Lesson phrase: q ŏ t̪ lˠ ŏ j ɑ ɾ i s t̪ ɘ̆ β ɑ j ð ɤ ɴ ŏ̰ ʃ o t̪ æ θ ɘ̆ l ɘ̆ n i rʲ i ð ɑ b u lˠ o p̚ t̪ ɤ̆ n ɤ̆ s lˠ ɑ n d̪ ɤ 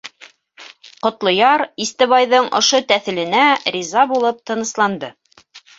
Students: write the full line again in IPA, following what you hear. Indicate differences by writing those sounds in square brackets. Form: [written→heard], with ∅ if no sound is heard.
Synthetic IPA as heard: q ŏ t̪ lˠ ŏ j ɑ ɾ i s t̪ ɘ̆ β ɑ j ð ɤ ɴ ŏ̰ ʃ o t̪ æ θ ɘ̆ l ɘ̆ n [i→æ] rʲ i [ð→z] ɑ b u lˠ [o→ɤ] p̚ t̪ ɤ̆ n ɤ̆ s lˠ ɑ n d̪ ɤ

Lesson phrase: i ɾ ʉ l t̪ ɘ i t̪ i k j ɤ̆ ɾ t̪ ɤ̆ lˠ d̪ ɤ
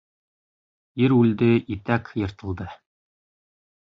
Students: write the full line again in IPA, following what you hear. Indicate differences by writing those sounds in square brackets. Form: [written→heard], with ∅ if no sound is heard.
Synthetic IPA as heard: i ɾ ʉ l [t̪→d̪] ɘ i t̪ [i→æ] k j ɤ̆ ɾ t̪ ɤ̆ lˠ d̪ ɤ

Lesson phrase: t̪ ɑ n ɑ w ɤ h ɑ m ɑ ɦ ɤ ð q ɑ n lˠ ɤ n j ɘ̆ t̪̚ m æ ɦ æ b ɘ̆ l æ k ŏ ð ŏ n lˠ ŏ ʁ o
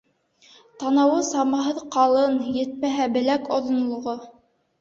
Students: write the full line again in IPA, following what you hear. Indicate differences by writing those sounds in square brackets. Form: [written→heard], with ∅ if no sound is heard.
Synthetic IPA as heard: t̪ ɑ n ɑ w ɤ [h→s] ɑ m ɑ ɦ ɤ ð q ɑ [n→∅] lˠ ɤ n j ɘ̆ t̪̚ m æ ɦ æ b ɘ̆ l æ k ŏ ð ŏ n lˠ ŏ ʁ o

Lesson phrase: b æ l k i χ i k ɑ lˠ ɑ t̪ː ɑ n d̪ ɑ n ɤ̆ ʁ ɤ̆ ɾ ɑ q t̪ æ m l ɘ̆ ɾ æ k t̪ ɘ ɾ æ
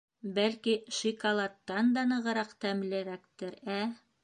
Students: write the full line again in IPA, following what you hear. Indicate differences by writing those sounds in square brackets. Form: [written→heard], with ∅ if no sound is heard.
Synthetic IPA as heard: b æ l k i [χ→ʃ] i k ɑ lˠ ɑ t̪ː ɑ n d̪ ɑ n ɤ̆ ʁ ɤ̆ ɾ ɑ q t̪ æ m l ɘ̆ ɾ æ k t̪ ɘ ɾ æ

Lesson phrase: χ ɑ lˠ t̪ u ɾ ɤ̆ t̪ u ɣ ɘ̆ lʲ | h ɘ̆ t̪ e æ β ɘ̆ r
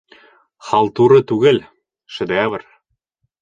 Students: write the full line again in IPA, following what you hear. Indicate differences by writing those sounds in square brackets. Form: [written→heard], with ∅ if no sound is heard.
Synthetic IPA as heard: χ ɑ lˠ t̪ u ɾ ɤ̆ t̪ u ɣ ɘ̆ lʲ | [h→ʃ] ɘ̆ [t̪→d̪] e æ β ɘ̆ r

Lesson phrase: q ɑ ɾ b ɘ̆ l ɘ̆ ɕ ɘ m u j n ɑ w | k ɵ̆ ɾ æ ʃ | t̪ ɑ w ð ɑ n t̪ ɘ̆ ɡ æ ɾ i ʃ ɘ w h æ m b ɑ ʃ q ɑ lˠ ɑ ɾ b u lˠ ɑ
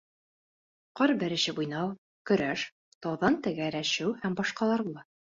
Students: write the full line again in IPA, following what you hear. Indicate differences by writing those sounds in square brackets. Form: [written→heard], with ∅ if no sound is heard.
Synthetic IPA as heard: q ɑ ɾ b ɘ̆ [l→ɾ] ɘ̆ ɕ ɘ [m→b] u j n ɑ w | k ɵ̆ ɾ æ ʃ | t̪ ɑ w ð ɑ n t̪ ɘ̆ ɡ æ ɾ [i→æ] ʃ ɘ w h æ m b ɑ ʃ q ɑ lˠ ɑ ɾ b u lˠ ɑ

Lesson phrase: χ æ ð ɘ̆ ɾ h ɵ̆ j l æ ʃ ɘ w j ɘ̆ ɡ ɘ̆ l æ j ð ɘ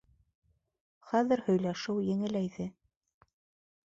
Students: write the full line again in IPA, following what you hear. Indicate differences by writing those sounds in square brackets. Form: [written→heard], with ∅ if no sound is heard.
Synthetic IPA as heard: χ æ ð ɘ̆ ɾ h ɵ̆ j l æ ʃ ɘ w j ɘ̆ [ɡ→ŋ] ɘ̆ l æ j ð ɘ

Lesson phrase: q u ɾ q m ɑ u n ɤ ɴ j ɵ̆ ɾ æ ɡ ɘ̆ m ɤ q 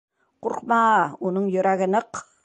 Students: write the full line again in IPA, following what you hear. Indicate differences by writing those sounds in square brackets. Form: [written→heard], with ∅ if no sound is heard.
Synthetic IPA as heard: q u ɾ q m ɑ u n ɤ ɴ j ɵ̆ ɾ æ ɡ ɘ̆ [m→n] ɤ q

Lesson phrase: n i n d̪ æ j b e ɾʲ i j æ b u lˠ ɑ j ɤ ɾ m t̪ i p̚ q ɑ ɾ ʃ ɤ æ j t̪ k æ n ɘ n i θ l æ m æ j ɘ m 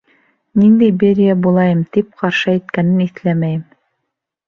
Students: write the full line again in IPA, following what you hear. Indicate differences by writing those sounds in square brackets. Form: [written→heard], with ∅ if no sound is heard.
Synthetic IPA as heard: n i n d̪ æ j b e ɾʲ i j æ b u lˠ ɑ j ɤ [ɾ→∅] m t̪ i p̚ q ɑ ɾ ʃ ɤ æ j t̪ k æ n ɘ n i θ l æ m æ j ɘ m

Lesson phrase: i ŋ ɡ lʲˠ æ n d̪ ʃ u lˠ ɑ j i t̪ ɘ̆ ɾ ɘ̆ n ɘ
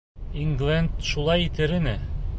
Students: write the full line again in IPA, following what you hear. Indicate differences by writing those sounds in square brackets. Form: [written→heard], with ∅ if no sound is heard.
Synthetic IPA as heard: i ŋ ɡ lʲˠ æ n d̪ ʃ u lˠ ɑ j i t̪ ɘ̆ ɾ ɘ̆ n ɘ

